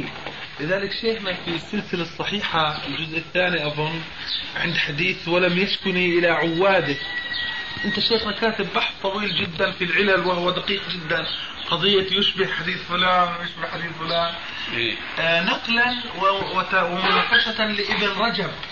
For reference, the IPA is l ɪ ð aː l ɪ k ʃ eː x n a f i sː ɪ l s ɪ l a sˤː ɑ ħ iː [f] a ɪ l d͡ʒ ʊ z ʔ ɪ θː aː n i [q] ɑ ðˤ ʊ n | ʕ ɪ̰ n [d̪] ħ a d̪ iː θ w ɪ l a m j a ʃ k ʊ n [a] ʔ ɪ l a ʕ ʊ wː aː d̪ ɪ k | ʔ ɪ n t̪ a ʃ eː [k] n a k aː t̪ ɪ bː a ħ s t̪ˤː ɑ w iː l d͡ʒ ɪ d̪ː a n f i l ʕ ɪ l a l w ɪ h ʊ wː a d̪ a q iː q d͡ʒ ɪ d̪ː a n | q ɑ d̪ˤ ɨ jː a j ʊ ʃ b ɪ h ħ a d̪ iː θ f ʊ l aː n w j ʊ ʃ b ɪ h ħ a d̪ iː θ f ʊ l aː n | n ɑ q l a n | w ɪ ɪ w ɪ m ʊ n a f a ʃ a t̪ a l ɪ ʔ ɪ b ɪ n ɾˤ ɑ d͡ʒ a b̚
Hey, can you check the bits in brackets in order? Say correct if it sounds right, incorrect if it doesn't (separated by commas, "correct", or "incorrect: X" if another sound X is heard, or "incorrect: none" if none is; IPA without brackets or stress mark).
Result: incorrect: ħ, incorrect: ʔ, correct, incorrect: i, incorrect: x